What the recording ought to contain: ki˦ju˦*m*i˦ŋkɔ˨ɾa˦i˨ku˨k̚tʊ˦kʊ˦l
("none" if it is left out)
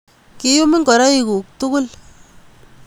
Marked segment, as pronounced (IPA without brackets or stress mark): m